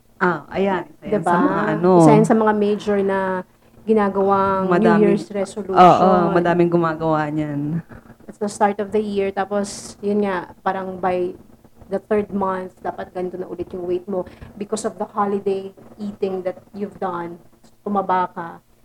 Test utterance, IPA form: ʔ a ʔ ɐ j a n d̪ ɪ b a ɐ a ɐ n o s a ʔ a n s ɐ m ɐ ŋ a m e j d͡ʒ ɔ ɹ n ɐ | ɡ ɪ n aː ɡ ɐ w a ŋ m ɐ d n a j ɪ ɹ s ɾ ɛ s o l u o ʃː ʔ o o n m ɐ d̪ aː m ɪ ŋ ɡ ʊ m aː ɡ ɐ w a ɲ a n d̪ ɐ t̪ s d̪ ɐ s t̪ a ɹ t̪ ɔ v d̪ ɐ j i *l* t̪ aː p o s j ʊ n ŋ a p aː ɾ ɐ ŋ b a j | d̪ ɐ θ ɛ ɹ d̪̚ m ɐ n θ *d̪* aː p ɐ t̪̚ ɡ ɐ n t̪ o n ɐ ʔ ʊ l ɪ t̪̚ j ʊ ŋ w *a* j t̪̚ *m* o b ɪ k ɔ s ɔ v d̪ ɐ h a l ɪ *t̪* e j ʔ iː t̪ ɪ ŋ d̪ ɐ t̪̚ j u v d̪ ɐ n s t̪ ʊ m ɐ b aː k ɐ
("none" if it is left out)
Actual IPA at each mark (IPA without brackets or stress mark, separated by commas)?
ɹ, d̪, e, m, d̪